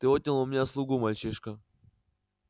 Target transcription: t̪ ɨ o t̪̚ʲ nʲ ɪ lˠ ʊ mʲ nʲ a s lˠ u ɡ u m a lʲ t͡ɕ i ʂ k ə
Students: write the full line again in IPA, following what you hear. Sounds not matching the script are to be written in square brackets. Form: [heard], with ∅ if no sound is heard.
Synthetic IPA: t̪ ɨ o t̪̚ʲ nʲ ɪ lˠ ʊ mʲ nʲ a s lˠ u ɡ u m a lʲ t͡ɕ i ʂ k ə

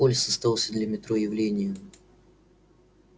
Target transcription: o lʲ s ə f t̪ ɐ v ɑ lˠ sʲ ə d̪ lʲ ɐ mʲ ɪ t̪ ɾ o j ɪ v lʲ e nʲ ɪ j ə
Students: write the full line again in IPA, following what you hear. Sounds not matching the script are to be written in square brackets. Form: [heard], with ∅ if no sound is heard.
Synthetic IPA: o lʲ s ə [s] t̪ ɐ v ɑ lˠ sʲ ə d̪ lʲ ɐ mʲ ɪ t̪ ɾ o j ɪ v lʲ e nʲ ɪ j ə

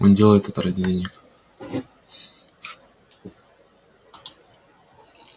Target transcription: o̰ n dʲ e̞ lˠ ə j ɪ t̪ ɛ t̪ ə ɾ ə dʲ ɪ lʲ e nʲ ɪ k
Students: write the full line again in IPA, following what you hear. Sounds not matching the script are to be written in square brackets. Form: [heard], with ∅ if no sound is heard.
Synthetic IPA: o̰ n dʲ e̞ lˠ ə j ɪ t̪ ɛ t̪ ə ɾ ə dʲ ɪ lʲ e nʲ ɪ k

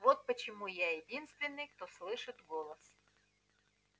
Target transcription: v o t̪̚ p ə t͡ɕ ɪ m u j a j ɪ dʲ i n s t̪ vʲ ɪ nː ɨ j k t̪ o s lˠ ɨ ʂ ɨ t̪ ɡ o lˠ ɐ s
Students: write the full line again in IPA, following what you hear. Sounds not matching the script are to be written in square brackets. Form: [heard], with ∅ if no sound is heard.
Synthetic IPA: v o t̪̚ p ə t͡ɕ ɪ m u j a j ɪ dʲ i n s t̪ vʲ ɪ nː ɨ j k t̪ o s lˠ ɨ ʂ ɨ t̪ ɡ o lˠ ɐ s

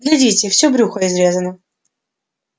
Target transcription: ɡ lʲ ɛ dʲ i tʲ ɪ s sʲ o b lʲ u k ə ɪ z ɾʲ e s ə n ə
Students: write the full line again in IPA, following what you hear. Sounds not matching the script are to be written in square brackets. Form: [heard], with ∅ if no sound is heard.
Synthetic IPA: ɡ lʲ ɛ dʲ i tʲ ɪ [f] sʲ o b [ɾʲ] u [x] ə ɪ z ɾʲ e [z] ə n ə

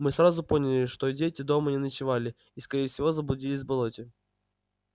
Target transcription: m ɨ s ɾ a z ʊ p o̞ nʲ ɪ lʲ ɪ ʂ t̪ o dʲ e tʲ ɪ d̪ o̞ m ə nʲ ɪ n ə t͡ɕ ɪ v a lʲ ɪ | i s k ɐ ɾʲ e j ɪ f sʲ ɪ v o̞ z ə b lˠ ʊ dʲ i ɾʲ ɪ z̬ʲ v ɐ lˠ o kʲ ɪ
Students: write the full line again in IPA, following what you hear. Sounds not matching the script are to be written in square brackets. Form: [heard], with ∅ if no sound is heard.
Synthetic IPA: m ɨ s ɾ a z ʊ p o̞ nʲ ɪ lʲ ɪ ʂ t̪ o dʲ e tʲ ɪ d̪ o̞ m ə nʲ ɪ n ə t͡ɕ ɪ v a lʲ ɪ | i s k ɐ ɾʲ e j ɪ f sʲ ɪ v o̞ z ə b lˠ ʊ dʲ i [lʲ] ɪ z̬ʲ [b] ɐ lˠ o [tʲ] ɪ

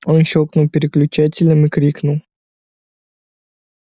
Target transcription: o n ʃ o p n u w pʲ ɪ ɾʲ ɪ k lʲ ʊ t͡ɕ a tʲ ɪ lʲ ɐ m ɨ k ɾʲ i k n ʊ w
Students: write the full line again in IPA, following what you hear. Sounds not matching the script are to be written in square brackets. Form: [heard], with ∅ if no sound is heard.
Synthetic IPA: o n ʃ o [k] n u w pʲ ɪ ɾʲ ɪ k lʲ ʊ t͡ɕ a tʲ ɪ lʲ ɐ m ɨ k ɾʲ i k n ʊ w

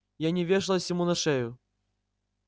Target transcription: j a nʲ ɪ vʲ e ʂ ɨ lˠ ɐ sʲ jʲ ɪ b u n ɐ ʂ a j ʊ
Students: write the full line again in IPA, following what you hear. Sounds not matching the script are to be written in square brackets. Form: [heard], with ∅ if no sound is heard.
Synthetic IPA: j a nʲ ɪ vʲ e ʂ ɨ lˠ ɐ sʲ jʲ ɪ [m] u n ɐ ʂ [ɛ] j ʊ

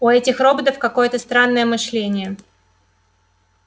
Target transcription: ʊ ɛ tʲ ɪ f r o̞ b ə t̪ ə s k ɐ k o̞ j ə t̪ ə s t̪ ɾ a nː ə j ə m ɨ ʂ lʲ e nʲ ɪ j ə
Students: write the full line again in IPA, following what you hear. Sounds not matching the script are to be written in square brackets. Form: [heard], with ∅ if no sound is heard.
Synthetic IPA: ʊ ɛ tʲ ɪ [x] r o̞ b ə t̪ ə [f] k ɐ k o̞ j ə t̪ ə s t̪ ɾ a nː ə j ə m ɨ ʂ lʲ e nʲ ɪ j ə

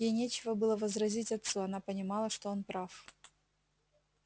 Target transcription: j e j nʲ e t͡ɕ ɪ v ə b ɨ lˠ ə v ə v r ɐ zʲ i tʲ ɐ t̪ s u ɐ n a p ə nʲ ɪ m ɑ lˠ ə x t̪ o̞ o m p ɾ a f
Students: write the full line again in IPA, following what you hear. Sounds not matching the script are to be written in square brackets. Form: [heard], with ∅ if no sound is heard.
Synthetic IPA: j e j nʲ e t͡ɕ ɪ v ə b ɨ lˠ ə v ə [z] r ɐ zʲ i tʲ ɐ t̪ s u ɐ n a p ə nʲ ɪ m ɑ lˠ ə [ʂ] t̪ o̞ o [n] p ɾ a f

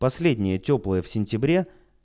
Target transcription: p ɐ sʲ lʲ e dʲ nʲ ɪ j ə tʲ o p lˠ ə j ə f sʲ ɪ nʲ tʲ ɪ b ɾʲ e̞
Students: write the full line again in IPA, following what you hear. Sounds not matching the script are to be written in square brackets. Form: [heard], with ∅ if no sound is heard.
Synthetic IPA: p ɐ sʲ lʲ e dʲ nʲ ɪ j ə tʲ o p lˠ ə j ə f sʲ ɪ nʲ tʲ ɪ b ɾʲ e̞

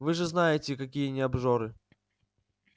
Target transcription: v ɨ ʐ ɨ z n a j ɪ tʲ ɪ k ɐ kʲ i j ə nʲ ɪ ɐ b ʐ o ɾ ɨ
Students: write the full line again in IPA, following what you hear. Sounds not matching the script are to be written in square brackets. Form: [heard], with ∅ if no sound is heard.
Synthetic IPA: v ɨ ʐ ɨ z n a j ɪ tʲ ɪ k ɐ kʲ i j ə nʲ ɪ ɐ b ʐ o ɾ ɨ

